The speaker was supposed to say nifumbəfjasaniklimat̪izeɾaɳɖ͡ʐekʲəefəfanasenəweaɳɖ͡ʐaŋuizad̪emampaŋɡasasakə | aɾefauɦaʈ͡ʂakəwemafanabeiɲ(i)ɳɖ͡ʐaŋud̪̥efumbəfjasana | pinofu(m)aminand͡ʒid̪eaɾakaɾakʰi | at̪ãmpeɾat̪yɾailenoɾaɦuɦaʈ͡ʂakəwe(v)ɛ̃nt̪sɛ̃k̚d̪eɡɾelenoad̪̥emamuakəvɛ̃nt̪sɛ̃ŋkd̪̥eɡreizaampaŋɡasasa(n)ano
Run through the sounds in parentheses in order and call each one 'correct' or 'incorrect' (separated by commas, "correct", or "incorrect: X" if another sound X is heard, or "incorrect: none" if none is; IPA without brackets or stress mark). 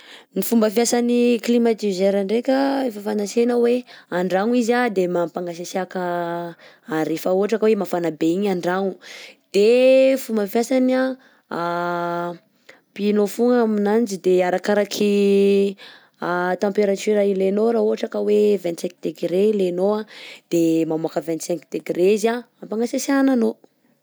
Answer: incorrect: a, incorrect: ŋ, correct, correct